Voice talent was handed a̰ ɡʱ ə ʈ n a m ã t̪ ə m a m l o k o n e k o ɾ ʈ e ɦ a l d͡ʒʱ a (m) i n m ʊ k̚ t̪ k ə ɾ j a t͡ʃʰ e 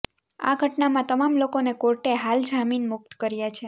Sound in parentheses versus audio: correct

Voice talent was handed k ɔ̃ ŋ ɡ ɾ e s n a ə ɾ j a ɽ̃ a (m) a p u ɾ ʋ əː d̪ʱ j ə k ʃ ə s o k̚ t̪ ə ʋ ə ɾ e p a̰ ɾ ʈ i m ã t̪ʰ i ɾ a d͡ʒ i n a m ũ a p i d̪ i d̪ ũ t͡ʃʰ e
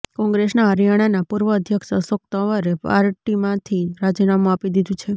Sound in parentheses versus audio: incorrect: n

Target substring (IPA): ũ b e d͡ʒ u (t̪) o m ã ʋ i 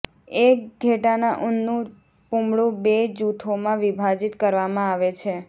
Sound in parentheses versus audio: incorrect: t̪ʰ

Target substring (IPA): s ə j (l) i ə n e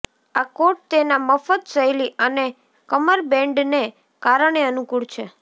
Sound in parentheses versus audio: correct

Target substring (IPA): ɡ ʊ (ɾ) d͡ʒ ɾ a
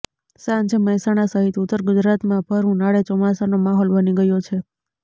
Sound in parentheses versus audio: incorrect: none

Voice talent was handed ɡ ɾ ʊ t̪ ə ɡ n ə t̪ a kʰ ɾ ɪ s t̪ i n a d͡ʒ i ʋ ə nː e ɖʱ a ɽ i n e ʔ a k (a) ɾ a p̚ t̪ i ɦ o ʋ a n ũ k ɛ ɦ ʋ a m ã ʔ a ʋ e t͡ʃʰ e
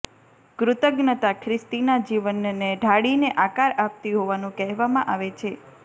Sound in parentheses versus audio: correct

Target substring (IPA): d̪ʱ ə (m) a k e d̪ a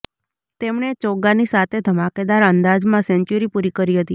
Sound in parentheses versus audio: correct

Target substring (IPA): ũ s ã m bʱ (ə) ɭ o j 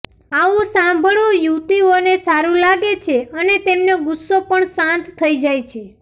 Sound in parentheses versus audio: correct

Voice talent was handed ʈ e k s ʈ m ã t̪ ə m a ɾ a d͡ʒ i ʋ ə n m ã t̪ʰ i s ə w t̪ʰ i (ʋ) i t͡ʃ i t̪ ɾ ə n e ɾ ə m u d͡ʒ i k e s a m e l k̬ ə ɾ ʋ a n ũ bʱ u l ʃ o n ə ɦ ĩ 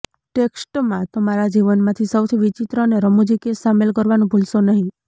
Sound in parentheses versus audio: correct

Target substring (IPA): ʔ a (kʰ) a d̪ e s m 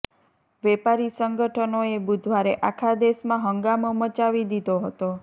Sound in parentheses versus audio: correct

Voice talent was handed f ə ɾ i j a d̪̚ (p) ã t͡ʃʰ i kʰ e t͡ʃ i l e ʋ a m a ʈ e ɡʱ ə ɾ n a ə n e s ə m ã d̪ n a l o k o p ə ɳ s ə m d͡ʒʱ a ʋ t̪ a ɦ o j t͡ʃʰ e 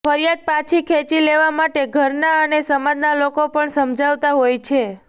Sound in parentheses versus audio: correct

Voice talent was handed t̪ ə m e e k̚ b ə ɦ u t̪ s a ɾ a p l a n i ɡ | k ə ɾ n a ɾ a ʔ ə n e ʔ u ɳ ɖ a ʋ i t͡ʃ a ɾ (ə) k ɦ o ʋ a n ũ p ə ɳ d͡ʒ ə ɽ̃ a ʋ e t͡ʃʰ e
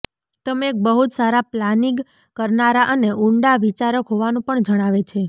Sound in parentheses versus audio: correct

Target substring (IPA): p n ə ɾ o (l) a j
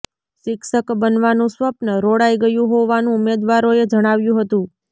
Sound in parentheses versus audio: incorrect: ɽ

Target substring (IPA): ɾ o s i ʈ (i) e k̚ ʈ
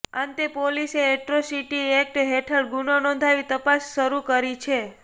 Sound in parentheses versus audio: correct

